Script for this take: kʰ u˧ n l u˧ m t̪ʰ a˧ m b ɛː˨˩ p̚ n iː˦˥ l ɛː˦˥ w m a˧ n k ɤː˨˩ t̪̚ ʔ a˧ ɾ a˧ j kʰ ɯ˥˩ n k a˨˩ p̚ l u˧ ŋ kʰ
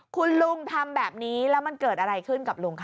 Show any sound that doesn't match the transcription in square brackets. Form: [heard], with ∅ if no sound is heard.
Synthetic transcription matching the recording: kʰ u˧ n l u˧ [ŋ] t̪ʰ a˧ m b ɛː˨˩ p̚ n iː˦˥ l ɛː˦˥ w m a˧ n k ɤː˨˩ t̪̚ ʔ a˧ ɾ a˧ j kʰ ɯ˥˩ n k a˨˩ p̚ l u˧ ŋ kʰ

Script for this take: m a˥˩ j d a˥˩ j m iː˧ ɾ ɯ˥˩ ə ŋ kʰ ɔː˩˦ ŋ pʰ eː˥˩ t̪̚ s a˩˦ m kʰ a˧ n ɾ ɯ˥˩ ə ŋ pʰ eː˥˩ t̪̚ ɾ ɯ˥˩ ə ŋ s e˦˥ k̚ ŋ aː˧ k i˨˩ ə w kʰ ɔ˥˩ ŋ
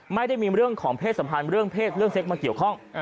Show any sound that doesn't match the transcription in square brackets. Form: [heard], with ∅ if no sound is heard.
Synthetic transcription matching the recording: m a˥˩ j d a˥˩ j m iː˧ ɾ ɯ˥˩ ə ŋ kʰ ɔː˩˦ ŋ pʰ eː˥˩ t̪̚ s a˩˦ m [pʰ] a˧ n ɾ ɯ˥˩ ə ŋ pʰ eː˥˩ t̪̚ ɾ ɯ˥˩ ə ŋ s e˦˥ k̚ [m] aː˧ k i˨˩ ə w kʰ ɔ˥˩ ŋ

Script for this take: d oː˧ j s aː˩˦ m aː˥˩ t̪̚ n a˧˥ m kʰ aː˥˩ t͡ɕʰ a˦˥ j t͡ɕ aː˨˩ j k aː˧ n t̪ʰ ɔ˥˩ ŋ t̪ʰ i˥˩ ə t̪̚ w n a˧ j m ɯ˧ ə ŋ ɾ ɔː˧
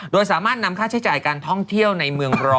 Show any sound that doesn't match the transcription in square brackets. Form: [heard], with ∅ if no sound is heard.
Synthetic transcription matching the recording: d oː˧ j s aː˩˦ m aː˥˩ t̪̚ n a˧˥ m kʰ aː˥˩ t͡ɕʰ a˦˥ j t͡ɕ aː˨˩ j k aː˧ n t̪ʰ ɔ˥˩ ŋ t̪ʰ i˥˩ ə [∅] w n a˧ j m ɯ˧ ə ŋ ɾ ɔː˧

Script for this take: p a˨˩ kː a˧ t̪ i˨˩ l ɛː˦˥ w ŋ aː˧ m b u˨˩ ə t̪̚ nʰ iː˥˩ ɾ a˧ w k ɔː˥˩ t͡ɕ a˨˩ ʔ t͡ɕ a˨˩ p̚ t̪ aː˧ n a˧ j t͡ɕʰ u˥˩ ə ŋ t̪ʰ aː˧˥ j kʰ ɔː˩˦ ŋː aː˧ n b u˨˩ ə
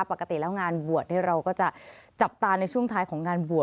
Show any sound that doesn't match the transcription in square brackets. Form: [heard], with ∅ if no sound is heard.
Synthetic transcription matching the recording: p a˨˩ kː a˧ t̪ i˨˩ l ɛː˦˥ w ŋ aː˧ [n] b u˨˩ ə t̪̚ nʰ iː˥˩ ɾ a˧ w k ɔː˥˩ t͡ɕ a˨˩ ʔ t͡ɕ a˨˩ p̚ t̪ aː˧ n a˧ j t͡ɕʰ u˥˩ ə ŋ t̪ʰ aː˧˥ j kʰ ɔː˩˦ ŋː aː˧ n b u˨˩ ə

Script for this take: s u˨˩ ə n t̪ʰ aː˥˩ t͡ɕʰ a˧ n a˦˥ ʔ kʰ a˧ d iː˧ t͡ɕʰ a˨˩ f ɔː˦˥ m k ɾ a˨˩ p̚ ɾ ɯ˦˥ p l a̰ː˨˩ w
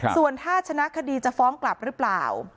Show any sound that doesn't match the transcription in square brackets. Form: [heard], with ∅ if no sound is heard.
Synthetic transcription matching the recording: s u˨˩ ə n t̪ʰ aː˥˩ t͡ɕʰ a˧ n a˦˥ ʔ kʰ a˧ d iː˧ [t͡ɕ] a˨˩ f ɔː˦˥ [ŋ] k [l] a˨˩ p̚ ɾ ɯ˦˥ p l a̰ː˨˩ w

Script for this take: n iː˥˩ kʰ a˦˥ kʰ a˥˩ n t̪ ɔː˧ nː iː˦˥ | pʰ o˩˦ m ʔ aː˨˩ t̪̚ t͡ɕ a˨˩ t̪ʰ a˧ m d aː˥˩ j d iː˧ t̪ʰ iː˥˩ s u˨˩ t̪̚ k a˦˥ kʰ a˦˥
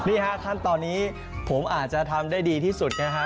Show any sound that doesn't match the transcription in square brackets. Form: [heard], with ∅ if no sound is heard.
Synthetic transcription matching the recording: n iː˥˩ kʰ a˦˥ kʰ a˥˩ n t̪ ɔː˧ nː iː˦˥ | pʰ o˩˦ m ʔ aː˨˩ t̪̚ t͡ɕ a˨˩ t̪ʰ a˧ m d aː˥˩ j d iː˧ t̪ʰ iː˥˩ s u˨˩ t̪̚ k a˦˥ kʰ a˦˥

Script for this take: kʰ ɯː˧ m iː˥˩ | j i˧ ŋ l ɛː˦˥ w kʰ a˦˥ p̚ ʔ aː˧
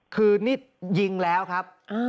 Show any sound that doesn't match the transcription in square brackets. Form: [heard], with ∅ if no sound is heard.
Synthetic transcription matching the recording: kʰ ɯː˧ [n] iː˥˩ | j i˧ ŋ l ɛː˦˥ w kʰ a˦˥ p̚ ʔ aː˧

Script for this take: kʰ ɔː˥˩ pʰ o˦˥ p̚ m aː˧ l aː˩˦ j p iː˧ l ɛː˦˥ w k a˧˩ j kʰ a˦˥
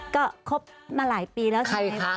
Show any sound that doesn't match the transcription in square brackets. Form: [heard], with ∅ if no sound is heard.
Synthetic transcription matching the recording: [k] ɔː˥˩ [kʰ] o˦˥ p̚ m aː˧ l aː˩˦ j p iː˧ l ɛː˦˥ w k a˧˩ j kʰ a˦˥

